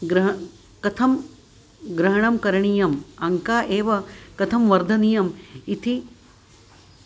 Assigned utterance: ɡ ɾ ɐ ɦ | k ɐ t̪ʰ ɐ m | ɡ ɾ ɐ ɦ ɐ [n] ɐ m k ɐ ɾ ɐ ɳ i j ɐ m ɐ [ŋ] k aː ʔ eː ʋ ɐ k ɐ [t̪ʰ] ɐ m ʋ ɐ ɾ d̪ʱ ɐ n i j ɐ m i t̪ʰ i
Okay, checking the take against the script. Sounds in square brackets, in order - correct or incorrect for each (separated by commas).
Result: incorrect, correct, correct